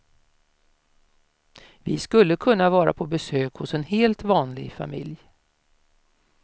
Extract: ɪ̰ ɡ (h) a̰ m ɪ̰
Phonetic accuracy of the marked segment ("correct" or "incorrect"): incorrect